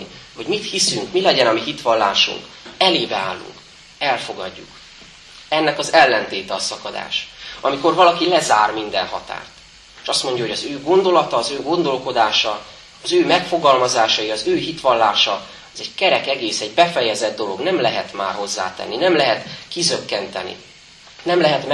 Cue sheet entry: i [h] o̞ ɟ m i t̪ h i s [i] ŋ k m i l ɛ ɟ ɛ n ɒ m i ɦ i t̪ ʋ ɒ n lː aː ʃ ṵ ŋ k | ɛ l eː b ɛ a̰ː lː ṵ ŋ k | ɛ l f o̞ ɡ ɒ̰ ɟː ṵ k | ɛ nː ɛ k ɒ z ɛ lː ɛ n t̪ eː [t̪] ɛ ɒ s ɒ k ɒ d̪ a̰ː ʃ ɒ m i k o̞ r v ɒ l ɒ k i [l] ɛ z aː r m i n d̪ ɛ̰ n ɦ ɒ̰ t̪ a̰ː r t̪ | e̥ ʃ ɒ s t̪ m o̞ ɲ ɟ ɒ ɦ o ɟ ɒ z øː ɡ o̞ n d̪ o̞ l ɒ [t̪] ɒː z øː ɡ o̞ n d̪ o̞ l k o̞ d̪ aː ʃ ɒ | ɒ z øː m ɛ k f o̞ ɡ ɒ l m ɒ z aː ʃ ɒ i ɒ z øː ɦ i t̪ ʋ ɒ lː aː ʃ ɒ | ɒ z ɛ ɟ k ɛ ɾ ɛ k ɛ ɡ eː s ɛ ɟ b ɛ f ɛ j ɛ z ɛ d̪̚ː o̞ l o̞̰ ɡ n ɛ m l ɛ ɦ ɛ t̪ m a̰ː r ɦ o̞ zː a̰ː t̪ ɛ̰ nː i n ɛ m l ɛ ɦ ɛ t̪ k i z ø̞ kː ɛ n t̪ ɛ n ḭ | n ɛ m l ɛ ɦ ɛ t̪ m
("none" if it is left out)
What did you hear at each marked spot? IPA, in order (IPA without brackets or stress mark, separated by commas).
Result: h, y, t̪, l, t̪